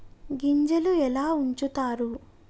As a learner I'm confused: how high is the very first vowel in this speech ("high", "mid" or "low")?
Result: high